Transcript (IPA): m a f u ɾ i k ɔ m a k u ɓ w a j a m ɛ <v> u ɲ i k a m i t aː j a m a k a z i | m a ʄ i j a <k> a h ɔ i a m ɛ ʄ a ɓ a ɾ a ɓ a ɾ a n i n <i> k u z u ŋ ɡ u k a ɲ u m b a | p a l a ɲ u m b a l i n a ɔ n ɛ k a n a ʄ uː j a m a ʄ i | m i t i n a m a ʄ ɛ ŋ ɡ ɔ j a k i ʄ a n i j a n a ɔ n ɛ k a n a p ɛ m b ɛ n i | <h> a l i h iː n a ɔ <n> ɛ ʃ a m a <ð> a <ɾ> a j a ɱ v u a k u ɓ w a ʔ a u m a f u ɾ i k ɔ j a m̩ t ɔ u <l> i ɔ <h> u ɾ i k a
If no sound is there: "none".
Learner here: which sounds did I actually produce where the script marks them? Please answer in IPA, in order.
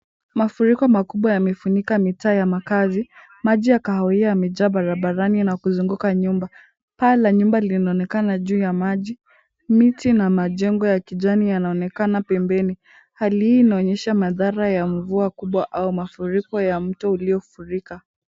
f, k, a, h, ɲ, ð, ɾ, l, f

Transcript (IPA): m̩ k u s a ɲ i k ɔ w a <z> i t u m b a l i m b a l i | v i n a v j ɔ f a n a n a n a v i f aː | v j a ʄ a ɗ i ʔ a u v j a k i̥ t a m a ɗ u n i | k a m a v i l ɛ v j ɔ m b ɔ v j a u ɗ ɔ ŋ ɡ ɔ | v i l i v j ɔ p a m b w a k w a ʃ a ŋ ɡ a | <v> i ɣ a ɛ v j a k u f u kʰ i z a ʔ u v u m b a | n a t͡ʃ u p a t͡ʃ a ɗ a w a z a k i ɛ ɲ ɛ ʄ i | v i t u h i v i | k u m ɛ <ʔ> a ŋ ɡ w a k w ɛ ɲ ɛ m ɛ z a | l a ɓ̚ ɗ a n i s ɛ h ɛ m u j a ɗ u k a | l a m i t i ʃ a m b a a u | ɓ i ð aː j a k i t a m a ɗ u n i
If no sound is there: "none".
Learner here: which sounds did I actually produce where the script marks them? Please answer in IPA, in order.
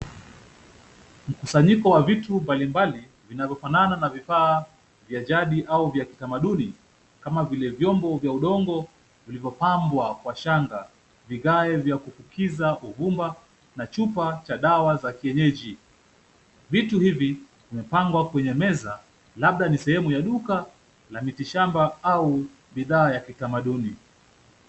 v, v, p

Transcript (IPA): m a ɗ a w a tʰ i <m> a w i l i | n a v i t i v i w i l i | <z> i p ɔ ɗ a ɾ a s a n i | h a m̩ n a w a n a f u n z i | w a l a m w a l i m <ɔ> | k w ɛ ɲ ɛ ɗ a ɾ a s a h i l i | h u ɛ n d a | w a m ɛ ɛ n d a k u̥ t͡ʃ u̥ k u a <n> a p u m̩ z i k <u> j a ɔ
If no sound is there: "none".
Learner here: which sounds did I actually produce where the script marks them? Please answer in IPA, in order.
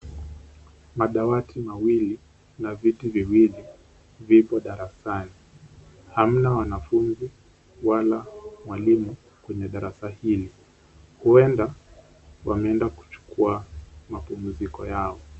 m, v, u, m, ɔ

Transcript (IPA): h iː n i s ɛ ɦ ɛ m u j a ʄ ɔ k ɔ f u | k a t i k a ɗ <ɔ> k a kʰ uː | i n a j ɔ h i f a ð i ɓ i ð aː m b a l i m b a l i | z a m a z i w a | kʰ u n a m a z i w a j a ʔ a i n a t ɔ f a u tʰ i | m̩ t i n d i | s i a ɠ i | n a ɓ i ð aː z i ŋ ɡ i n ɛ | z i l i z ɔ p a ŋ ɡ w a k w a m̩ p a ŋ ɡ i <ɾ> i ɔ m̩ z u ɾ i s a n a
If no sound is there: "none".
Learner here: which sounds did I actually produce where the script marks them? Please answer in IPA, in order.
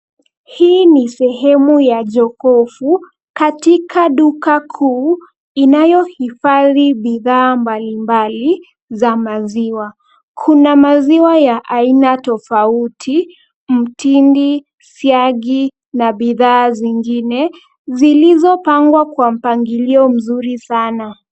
u, l

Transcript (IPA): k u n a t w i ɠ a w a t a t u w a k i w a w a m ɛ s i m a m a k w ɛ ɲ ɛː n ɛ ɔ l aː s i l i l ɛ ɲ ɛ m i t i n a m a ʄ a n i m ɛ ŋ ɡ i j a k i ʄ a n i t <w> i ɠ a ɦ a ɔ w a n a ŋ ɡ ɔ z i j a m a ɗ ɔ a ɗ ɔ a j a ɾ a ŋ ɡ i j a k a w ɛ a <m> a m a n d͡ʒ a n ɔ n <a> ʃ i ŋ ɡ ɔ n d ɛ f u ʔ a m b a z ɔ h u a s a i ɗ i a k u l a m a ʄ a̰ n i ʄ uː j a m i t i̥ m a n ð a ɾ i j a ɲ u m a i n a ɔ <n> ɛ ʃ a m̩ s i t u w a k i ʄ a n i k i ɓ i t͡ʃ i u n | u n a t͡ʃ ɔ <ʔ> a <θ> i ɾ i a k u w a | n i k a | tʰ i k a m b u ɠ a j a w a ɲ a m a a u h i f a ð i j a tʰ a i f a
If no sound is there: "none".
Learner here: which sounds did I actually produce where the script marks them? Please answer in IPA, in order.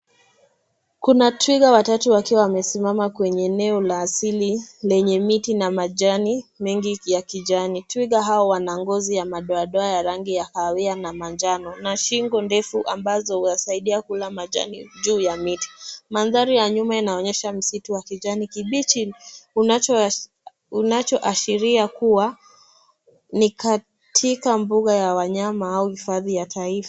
w, n, a, ɲ, ʔ, ʃ

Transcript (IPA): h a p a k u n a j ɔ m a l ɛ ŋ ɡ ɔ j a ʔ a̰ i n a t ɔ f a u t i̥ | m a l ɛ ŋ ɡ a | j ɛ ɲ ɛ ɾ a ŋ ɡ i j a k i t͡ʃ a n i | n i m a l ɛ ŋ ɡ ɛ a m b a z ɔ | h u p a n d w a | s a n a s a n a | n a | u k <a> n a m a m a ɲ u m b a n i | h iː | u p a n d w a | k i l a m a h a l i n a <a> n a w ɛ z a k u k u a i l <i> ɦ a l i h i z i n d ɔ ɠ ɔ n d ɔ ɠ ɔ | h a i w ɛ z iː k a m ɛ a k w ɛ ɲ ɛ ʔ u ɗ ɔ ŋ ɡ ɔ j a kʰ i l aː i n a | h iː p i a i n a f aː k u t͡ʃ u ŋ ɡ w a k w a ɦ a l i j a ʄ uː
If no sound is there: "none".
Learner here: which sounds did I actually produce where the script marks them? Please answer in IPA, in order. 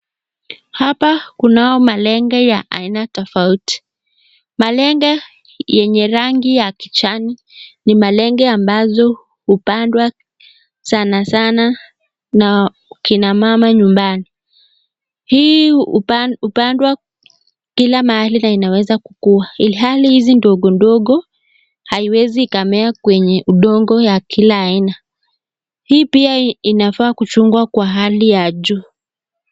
i, i, i

